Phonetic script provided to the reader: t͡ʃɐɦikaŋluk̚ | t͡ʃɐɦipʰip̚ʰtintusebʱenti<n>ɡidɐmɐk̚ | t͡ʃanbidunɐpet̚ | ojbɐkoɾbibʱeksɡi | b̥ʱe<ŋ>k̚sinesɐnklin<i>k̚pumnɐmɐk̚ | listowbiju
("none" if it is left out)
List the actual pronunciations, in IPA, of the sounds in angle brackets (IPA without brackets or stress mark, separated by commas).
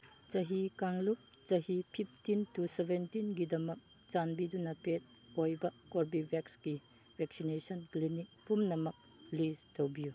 n, none, i